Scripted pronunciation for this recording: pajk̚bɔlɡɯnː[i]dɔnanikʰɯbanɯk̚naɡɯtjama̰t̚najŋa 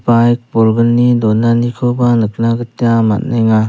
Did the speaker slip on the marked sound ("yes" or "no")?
no